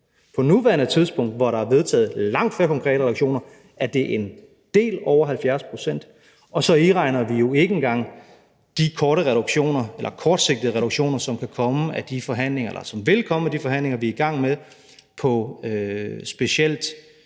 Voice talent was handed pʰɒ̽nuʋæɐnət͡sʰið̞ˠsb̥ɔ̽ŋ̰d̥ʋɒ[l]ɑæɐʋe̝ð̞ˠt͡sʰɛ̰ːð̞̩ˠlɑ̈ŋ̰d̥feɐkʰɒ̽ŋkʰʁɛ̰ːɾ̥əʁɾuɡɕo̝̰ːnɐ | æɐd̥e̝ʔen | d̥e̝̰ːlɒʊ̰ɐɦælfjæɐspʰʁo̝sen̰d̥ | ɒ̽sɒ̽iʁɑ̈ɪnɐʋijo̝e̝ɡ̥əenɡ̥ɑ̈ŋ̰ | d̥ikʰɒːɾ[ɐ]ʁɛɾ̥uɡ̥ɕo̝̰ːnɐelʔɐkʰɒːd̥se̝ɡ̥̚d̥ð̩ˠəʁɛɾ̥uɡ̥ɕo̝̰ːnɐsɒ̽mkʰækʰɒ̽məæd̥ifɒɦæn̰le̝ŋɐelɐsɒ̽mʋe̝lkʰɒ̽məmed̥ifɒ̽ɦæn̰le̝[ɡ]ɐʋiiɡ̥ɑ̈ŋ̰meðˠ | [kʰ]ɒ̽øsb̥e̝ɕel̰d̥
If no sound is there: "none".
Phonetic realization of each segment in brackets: ɾ, ə, ŋ, pʰ

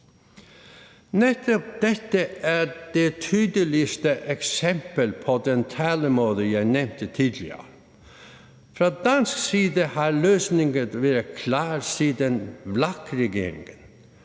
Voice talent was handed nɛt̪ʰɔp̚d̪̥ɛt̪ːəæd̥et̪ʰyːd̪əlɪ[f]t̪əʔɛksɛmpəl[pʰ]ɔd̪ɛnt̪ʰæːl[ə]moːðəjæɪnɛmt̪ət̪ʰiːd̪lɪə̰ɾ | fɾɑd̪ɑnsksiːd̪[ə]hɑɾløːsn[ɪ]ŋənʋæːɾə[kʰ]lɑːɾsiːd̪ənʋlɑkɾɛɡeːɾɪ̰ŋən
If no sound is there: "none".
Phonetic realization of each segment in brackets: s, pʰ, ə, ə, ɪ, kʰ

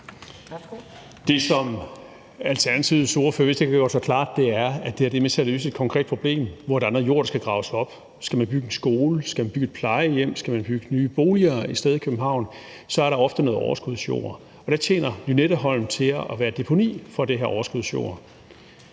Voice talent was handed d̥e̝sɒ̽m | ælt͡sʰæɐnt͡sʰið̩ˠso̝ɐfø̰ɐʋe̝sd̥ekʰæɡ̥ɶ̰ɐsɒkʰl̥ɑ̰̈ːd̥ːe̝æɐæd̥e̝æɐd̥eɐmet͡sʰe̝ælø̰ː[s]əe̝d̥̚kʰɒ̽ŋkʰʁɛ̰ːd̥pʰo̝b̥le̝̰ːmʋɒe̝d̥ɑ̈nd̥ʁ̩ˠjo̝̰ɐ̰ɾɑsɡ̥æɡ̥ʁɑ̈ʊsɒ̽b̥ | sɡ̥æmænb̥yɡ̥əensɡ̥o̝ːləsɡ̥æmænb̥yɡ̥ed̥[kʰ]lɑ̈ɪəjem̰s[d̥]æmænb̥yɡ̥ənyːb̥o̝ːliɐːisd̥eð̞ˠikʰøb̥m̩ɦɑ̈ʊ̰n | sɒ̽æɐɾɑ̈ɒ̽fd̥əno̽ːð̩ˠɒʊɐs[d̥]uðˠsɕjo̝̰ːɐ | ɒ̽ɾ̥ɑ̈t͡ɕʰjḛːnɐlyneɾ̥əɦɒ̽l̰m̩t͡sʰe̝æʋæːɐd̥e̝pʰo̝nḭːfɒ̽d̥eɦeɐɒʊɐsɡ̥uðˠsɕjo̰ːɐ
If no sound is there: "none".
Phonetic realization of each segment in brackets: s, pʰ, ɡ̥, ɡ̥

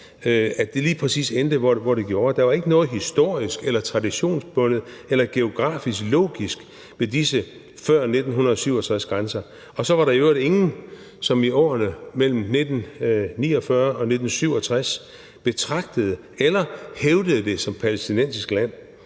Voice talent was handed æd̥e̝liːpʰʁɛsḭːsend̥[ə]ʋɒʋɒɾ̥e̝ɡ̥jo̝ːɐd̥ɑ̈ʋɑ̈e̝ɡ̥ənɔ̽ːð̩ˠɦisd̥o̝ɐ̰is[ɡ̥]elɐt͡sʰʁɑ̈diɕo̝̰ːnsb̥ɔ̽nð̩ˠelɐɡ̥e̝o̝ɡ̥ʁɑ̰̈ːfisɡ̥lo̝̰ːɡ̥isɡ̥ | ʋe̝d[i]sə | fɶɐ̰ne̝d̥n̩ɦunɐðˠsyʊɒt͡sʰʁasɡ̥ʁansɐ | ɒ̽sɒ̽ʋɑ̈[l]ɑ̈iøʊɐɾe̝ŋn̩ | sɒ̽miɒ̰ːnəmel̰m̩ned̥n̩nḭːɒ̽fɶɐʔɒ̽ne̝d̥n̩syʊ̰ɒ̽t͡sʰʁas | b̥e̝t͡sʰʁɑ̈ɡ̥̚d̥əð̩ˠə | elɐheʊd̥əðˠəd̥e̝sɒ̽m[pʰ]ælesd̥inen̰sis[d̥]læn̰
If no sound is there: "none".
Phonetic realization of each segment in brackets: ə, ɡ̥, i, ɾ, pʰ, ɡ̥

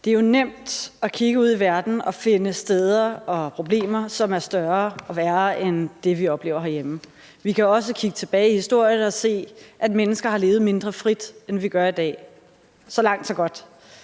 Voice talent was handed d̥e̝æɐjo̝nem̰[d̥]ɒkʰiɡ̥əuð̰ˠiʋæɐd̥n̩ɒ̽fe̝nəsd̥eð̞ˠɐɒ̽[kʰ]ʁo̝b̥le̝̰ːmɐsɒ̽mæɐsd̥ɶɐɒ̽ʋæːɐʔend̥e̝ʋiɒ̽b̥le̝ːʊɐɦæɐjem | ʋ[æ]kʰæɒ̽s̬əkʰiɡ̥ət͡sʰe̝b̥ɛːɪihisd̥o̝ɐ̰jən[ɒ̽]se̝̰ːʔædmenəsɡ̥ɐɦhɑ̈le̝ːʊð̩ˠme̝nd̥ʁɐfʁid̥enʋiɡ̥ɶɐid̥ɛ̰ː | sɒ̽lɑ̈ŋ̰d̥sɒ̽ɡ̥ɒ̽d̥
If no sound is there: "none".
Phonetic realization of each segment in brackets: d̥, pʰ, i, ɒ̽

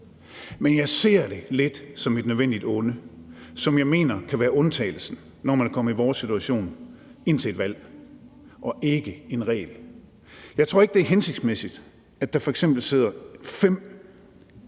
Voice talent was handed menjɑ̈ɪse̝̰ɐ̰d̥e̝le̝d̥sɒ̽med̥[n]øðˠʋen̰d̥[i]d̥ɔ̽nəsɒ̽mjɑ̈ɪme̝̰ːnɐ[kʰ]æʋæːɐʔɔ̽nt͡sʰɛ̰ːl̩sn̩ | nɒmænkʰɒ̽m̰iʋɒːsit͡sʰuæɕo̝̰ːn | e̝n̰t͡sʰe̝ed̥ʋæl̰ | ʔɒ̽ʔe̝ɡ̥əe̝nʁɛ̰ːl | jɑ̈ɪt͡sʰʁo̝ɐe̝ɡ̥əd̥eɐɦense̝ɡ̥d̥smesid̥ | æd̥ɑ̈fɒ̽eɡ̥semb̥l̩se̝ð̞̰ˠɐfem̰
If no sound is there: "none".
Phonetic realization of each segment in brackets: n, i, kʰ

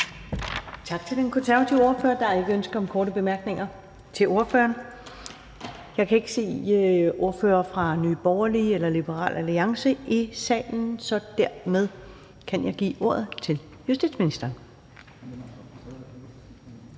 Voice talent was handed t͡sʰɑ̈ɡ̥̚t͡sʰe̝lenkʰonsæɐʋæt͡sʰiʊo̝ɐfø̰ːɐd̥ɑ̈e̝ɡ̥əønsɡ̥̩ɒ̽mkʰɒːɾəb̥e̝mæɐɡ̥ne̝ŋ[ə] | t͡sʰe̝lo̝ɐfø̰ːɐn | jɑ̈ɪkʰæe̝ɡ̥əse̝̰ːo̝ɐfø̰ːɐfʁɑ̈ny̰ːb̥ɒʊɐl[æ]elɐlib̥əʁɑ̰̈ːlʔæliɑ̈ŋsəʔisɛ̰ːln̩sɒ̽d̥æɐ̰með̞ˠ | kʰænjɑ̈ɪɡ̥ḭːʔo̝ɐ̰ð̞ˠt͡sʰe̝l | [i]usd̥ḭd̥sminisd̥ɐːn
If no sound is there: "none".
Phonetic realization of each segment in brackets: ɐ, i, j

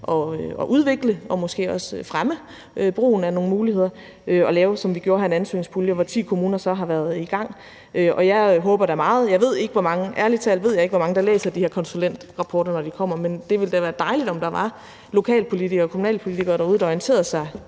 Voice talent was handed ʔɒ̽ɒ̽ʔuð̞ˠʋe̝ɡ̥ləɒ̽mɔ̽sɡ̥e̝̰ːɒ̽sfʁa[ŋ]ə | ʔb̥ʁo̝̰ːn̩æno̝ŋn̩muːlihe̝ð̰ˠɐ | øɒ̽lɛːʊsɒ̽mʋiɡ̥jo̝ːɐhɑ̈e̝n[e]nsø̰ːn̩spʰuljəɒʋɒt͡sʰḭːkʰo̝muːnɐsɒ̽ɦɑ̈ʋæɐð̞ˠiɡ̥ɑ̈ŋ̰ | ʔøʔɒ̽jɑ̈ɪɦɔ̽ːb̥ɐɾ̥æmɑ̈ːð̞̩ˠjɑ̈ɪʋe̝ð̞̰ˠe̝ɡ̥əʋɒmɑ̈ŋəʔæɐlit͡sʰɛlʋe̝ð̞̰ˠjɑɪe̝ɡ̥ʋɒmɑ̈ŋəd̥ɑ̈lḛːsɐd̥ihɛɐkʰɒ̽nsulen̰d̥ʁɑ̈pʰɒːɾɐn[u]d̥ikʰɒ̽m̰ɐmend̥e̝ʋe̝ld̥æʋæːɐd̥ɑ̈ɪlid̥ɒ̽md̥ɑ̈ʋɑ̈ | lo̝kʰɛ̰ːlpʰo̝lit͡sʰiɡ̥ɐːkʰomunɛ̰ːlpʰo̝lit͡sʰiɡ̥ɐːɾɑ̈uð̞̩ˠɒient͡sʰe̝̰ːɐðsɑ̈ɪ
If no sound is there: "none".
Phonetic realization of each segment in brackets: m, æ, ɒ

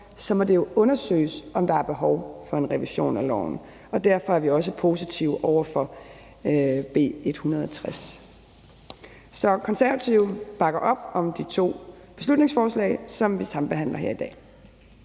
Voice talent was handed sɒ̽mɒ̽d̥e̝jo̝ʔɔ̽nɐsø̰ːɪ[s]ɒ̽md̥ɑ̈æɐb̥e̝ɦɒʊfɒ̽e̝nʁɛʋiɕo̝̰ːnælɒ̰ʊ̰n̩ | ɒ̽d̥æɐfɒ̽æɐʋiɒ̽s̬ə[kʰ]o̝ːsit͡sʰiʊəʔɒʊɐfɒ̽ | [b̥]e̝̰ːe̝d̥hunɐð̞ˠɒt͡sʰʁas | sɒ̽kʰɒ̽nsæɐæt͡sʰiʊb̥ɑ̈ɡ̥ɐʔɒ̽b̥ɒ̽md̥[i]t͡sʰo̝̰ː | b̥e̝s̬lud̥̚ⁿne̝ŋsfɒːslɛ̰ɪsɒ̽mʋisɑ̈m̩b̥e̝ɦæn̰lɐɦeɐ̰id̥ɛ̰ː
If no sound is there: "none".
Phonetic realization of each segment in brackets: s, pʰ, b̥, i

